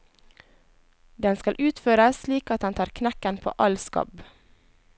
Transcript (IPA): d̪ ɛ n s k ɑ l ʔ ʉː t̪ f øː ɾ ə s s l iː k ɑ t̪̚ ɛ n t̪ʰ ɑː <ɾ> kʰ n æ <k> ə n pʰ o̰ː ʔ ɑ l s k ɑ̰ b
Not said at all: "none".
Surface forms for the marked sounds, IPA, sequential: ɾ, k

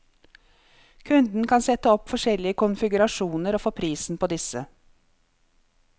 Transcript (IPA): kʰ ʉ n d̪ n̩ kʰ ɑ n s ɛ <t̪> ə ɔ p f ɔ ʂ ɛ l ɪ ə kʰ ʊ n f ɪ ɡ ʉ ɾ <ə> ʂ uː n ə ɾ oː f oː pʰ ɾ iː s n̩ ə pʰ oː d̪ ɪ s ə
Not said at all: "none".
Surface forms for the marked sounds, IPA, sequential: t̪, ɑ

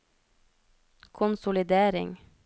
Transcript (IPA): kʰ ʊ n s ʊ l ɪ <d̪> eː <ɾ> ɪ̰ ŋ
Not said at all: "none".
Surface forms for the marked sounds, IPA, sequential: d̪, ɾ

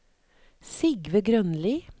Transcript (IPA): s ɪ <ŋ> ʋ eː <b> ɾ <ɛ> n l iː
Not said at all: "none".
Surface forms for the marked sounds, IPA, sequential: ɡ, ɡ, œ

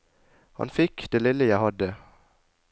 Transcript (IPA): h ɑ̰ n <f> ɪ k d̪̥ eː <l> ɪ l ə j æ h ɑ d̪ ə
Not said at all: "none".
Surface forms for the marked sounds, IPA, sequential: f, l

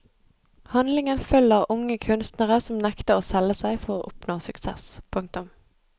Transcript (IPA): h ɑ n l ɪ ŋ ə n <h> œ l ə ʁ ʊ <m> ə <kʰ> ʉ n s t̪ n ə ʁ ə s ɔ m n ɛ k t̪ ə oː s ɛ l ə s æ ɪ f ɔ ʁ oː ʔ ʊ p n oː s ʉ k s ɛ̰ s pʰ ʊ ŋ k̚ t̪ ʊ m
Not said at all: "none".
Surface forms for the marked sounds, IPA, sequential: f, ŋ, kʰ

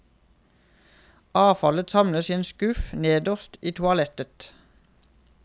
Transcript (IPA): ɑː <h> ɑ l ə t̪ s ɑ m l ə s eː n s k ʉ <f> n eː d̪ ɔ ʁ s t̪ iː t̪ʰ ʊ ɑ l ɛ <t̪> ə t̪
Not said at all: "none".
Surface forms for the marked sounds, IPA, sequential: f, f, t̪

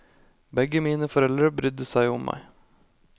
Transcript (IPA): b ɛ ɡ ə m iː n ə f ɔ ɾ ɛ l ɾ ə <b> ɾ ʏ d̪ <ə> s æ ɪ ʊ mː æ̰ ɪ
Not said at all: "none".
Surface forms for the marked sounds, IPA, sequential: b, ə

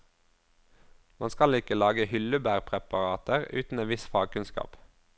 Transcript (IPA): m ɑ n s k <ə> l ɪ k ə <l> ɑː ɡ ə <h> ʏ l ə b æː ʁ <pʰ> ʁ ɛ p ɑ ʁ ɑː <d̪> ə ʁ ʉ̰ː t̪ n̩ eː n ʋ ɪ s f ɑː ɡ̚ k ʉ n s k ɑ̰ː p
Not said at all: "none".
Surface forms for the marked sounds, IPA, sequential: ɑ, l, h, pʰ, t̪

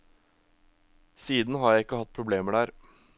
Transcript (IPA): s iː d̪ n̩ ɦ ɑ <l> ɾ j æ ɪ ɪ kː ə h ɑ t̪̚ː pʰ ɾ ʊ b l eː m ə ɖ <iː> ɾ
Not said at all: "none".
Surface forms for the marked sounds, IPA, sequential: none, æː

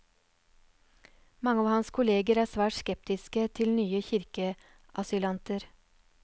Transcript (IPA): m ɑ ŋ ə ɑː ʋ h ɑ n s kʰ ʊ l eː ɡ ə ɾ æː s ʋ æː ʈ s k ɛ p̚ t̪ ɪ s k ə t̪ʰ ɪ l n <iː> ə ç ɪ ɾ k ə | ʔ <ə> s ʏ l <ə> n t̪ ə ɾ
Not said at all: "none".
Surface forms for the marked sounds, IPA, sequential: yː, ɑ, ɑ

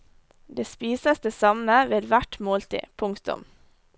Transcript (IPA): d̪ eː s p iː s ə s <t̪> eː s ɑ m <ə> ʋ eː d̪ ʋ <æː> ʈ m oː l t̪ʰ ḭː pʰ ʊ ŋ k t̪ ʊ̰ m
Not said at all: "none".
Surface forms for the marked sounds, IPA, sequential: d̪, ə, æ

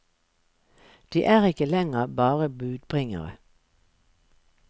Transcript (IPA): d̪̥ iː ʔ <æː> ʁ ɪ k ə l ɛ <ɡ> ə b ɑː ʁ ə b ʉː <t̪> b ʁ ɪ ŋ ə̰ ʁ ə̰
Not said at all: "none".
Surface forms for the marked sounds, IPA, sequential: æː, ŋ, d̪

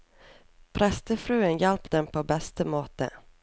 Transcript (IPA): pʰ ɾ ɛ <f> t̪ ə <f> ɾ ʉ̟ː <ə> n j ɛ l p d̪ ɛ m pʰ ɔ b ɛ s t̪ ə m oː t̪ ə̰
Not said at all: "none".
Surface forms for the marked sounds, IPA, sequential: s, f, ə

